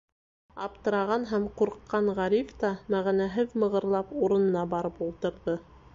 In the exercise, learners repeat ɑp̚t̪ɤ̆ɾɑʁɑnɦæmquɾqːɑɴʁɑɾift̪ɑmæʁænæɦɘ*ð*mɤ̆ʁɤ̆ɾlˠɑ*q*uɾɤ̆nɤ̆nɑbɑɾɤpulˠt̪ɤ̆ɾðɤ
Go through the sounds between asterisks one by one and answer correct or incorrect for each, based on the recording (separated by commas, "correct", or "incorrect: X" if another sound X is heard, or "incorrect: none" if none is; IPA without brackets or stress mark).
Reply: correct, incorrect: p